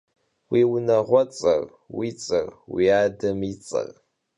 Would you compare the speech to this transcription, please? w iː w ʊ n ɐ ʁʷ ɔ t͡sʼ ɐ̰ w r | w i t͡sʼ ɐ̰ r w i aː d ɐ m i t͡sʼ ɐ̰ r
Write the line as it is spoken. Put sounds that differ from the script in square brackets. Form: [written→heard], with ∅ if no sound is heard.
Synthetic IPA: w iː w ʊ n ɐ ʁʷ ɔ t͡sʼ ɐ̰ [w→∅] r | w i t͡sʼ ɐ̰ r w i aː d ɐ m i t͡sʼ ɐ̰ r